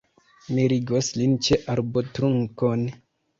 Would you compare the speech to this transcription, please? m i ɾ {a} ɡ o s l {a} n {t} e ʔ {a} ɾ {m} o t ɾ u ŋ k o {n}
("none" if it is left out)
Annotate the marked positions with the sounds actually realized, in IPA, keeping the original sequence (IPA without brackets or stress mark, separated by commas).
i, i, t͡ʃ, a, b, n